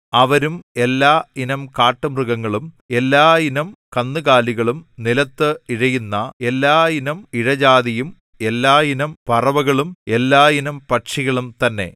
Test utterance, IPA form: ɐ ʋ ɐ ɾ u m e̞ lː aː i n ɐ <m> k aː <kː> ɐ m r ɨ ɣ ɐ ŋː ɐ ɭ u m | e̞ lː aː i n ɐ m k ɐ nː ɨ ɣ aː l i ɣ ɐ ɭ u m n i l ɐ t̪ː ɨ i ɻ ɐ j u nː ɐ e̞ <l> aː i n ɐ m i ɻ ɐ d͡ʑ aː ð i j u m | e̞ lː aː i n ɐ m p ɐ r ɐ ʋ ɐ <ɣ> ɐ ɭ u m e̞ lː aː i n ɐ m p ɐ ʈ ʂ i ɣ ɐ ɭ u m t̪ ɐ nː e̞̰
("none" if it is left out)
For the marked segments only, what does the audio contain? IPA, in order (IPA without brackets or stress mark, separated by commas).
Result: m, ʈː, lː, ɣ